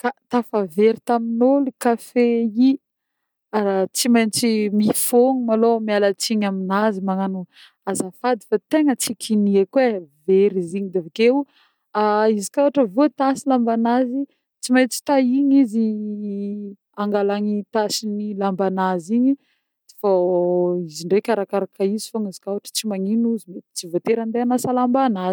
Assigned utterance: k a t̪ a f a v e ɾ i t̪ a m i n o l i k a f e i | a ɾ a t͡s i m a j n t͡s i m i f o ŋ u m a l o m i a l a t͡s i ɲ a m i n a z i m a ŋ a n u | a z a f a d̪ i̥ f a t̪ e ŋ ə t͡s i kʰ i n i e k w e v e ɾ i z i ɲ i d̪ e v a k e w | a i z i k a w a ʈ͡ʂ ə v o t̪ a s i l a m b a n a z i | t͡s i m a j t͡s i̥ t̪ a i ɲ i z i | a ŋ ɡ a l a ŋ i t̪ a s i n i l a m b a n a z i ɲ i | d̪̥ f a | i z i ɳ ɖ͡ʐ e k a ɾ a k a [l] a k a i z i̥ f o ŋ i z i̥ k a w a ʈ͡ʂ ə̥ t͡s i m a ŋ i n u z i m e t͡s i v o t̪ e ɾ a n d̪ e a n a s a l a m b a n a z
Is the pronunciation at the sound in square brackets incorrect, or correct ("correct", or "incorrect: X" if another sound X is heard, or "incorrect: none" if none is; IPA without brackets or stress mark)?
incorrect: ɾ